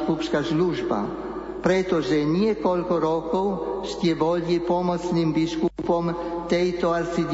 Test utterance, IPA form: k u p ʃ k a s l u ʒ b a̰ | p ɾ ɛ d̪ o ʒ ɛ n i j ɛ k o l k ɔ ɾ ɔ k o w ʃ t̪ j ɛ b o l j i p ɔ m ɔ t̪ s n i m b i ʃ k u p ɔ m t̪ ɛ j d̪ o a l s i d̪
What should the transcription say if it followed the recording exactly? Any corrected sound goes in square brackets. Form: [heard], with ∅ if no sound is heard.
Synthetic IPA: k u p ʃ k a s l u ʒ b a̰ | p ɾ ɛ [t̪] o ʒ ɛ n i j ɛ k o l k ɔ ɾ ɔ k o w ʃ t̪ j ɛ b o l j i p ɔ m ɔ t̪ s n i m b i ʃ k u p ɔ m t̪ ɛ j [t̪] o a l s i d̪